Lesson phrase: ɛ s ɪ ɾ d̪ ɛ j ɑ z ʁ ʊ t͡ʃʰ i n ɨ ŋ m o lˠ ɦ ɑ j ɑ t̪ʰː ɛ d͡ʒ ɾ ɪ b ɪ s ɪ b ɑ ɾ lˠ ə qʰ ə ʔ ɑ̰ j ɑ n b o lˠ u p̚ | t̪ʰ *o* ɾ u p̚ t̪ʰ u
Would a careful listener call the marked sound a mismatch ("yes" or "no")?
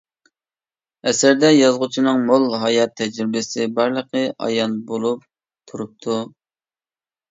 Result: yes